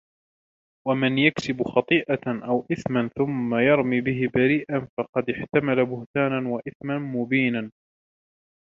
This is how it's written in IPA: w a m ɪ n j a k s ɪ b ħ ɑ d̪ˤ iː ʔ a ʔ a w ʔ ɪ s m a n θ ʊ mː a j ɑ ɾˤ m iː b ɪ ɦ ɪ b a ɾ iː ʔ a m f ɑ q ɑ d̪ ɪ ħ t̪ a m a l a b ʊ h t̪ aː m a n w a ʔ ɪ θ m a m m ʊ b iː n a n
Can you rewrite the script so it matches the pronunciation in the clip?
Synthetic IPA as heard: w a m ɪ n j a k s ɪ b x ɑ t̪ˤ iː ʔ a ʔ a w ʔ ɪ θ m a n θ ʊ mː a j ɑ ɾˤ m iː b ɪ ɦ ɪ b a ɾ iː ʔ a n f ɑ q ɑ d̪ ɪ ħ t̪ a m a l a b ʊ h t̪ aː n a n w a ʔ ɪ θ m a n m ʊ b iː n a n

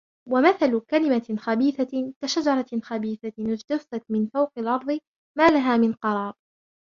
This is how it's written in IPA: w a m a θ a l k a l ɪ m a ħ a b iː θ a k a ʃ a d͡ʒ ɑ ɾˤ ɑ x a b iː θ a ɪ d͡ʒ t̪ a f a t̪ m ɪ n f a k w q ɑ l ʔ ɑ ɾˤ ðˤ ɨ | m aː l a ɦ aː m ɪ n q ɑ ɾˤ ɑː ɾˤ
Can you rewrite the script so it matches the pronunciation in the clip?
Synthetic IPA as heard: w a m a θ a l k a l ɪ m a x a b iː θ a k a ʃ a d͡ʒ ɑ ɾˤ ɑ x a b iː θ a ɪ d͡ʒ t̪ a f a t̪ m ɪ n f a w q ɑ l ʔ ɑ ɾˤ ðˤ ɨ | m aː l a ɦ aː m ɪ n q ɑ ɾˤ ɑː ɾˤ

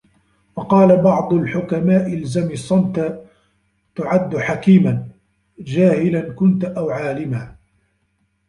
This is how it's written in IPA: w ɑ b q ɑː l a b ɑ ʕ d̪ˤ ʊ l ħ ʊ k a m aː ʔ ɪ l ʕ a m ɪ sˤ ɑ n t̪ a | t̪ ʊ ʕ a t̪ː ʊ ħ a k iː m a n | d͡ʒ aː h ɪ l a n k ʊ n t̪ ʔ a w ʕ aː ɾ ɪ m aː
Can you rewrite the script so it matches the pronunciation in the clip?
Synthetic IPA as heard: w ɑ q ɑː l a b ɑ ʕ d̪ˤ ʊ l ħ ʊ k a m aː ʔ ɪ l z a m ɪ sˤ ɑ n t̪ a | t̪ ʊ ʕ a d̪ː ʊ ħ a k iː m a n | d͡ʒ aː h ɪ l a n k ʊ n t̪ ʔ a w ʕ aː l ɪ m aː

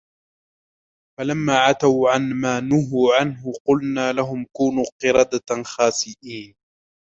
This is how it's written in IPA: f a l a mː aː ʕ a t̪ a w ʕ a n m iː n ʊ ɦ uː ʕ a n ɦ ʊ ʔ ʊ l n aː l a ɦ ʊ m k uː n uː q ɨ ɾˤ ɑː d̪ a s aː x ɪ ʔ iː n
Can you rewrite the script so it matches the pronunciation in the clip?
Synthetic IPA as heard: f a l a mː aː ʕ a t̪ a w ʕ a n m aː n ʊ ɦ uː ʕ a n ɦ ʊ q ʊ l n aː l a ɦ ʊ m k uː n uː q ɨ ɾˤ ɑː d̪ a x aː s ɪ ʔ iː n

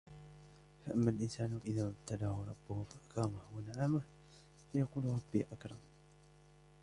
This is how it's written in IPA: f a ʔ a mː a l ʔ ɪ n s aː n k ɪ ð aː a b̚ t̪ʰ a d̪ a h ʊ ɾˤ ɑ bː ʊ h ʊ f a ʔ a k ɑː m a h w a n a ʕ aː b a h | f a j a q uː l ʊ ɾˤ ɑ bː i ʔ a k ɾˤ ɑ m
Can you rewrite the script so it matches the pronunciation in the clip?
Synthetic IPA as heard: f a ʔ a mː a l ʔ ɪ n s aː n ʔ ɪ ð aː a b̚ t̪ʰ a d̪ a h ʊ ɾˤ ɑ bː ʊ h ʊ f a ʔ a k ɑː m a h w a n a ʕ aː m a h | f a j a q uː l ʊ ɾˤ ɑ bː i ʔ a k ɾˤ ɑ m

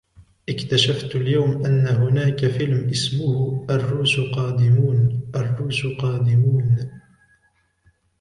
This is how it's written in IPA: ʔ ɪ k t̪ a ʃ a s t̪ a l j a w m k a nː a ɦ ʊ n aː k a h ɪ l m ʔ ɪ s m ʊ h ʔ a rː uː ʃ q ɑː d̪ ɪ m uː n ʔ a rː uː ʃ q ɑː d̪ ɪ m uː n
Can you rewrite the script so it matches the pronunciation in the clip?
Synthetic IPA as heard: ʔ ɪ k t̪ a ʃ a f t̪ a l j a w m ʔ a nː a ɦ ʊ n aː k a f ɪ l m ʔ ɪ s m ʊ h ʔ a rː uː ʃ q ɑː d̪ ɪ m uː n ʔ a rː uː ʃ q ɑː d̪ ɪ m uː n

